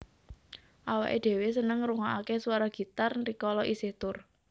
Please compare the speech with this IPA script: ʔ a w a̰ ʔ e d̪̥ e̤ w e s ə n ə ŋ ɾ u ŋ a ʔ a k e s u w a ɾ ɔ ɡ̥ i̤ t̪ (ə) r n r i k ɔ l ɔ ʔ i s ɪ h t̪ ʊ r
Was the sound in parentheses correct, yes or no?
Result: no